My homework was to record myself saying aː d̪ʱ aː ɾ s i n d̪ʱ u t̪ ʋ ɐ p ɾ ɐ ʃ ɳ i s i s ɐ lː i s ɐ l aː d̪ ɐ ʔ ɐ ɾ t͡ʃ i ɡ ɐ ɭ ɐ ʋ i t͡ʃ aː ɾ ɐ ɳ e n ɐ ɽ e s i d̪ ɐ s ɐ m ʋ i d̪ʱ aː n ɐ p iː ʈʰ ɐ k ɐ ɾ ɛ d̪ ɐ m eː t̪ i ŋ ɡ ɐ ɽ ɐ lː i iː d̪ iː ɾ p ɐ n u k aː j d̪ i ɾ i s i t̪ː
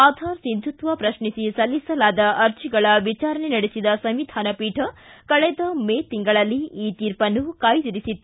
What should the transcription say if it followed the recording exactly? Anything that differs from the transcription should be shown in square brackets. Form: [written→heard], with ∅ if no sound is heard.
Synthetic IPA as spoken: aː d̪ʱ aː ɾ s i n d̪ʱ u t̪ ʋ ɐ p ɾ ɐ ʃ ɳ i s i s ɐ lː i s ɐ l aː d̪ ɐ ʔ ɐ ɾ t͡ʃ i ɡ ɐ ɭ ɐ ʋ i t͡ʃ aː ɾ ɐ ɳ e n ɐ ɽ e s i d̪ ɐ s ɐ m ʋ i d̪ʱ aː n ɐ p iː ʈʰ ɐ k ɐ [ɾ→ɭ] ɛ d̪ ɐ m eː t̪ i ŋ ɡ ɐ [ɽ→ɭ] ɐ lː i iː [d̪→t̪] iː ɾ p ɐ n u k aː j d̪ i ɾ i s i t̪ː